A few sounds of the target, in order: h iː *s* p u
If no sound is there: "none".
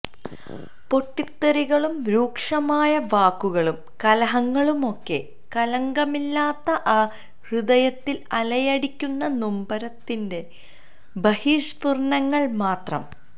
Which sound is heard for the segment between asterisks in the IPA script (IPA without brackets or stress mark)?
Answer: ʂ